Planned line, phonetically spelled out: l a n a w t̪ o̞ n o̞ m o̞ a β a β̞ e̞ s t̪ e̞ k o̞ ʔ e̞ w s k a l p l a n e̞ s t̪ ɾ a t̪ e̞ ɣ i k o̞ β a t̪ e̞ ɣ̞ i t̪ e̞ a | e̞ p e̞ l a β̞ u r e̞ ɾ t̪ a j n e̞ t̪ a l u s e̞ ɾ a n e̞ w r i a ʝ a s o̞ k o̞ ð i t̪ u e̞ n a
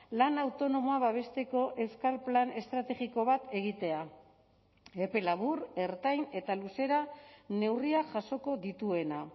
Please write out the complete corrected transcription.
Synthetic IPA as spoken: l a n a w t̪ o̞ n o̞ m o̞ a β a β̞ e̞ s t̪ e̞ k o̞ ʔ e̞ w s k a l p l a n e̞ s t̪ ɾ a t̪ e̞ ɣ i k o̞ β a t̪ e̞ ɣ̞ i t̪ e̞ a | e̞ p e̞ l a β̞ u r e̞ ɾ t̪ a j n e̞ t̪ a l u s e̞ ɾ a n e̞ w r i a ʝ a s o̞ k o̞ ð i t̪ u e̞ n a

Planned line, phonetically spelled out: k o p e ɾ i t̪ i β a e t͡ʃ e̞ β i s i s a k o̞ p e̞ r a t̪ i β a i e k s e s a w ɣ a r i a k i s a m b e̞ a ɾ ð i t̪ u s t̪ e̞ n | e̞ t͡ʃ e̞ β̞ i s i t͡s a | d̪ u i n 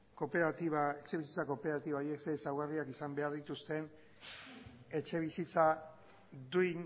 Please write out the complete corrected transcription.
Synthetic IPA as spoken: k o p e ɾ a t̪ i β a e t͡ʃ e̞ β i s i t͡s a k o̞ p e̞ ɾ a t̪ i β a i e k s e s a w ɣ a r i a k i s a m b e̞ a ɾ ð i t̪ u s t̪ e̞ n | e̞ t͡ʃ e̞ β̞ i s i t͡s a | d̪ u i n

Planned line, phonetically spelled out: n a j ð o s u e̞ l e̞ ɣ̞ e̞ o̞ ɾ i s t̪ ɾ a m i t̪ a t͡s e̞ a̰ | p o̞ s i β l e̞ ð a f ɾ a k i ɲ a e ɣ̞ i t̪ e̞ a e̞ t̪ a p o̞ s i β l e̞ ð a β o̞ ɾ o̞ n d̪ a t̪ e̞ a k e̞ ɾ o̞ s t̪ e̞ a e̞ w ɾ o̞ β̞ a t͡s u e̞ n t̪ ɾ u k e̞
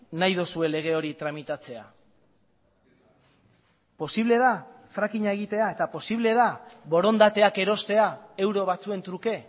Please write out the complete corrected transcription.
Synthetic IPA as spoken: n a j ð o s u e̞ l e̞ ɣ̞ e̞ o̞ ɾ i t̪ ɾ a m i t̪ a t͡s e̞ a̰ | p o̞ s i β l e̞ ð a f ɾ a k i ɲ a e ɣ̞ i t̪ e̞ a e̞ t̪ a p o̞ s i β l e̞ ð a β o̞ ɾ o̞ n d̪ a t̪ e̞ a k e̞ ɾ o̞ s t̪ e̞ a e̞ w ɾ o̞ β̞ a t͡s u e̞ n t̪ ɾ u k e̞

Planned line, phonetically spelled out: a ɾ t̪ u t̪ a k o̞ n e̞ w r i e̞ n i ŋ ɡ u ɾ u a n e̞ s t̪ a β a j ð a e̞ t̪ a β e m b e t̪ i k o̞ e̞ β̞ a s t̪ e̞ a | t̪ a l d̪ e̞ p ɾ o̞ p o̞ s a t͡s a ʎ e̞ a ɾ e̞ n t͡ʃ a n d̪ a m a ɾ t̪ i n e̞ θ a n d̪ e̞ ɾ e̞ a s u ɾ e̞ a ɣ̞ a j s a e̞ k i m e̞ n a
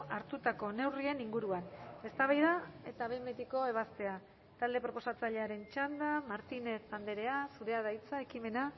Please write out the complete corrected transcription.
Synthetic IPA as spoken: a ɾ t̪ u t̪ a k o̞ n e̞ w r i e̞ n i ŋ ɡ u ɾ u a n e̞ s t̪ a β a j ð a e̞ t̪ a β e m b e t̪ i k o̞ e̞ β̞ a s t̪ e̞ a | t̪ a l d̪ e̞ p ɾ o̞ p o̞ s a t͡s a ʎ e̞ a ɾ e̞ n t͡ʃ a n d̪ a m a ɾ t̪ i n e̞ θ a n d̪ e̞ ɾ e̞ a s u ɾ e̞ a ð̞ a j t͡s a e̞ k i m e̞ n a

